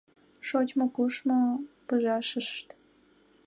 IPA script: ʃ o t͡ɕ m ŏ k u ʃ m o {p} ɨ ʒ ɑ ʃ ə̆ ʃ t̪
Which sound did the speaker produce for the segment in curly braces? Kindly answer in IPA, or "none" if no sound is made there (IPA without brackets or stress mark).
p